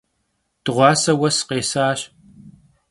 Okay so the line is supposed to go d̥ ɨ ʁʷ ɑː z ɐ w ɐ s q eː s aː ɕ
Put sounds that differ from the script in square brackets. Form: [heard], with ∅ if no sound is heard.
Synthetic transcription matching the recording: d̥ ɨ ʁʷ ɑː [s] ɐ w ɐ s q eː s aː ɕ